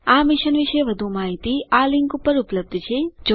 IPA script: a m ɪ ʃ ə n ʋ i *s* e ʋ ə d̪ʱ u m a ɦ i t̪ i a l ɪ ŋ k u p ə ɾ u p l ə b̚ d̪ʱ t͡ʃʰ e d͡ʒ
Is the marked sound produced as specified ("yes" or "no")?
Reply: no